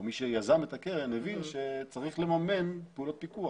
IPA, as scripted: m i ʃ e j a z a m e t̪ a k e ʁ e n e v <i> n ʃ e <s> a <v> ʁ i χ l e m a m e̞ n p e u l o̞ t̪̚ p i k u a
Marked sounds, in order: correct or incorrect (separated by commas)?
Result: correct, incorrect, incorrect